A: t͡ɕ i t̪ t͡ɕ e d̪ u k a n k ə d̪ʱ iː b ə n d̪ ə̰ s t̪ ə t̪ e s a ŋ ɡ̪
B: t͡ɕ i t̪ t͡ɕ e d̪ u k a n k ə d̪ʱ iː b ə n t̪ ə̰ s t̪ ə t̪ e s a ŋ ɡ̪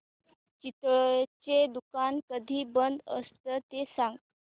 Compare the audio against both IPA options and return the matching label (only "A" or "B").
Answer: A